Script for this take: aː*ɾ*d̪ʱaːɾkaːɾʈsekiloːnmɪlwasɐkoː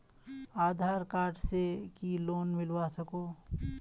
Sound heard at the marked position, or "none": none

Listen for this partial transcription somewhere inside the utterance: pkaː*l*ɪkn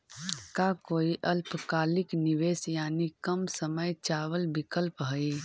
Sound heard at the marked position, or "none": l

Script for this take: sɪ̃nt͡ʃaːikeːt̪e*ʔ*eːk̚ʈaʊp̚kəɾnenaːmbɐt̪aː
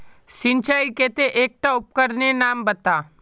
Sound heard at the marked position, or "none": ʔ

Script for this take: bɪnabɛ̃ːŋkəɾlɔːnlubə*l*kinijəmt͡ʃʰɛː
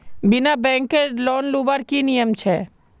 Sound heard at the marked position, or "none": ɾ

